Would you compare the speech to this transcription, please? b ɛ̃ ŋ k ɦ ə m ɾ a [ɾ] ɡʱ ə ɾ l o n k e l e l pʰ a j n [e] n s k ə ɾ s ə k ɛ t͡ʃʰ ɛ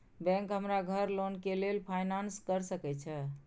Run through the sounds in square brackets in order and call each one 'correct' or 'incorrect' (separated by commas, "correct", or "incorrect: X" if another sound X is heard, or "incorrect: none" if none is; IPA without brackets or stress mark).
incorrect: none, incorrect: a